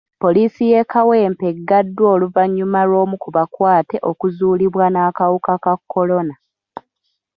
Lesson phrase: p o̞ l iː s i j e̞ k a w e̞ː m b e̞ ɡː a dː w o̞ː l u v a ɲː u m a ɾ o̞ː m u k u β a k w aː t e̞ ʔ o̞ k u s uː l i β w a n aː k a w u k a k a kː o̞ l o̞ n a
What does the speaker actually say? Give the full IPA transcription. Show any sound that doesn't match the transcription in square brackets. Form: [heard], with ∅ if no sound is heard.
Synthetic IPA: p o̞ l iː s i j e̞ k a w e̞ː m [p] e̞ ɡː a dː w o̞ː l u v a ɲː u m a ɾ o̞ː m u k u β a k w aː t e̞ ʔ o̞ k u [z] uː l i β w a n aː k a w u k a k a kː o̞ l o̞ n a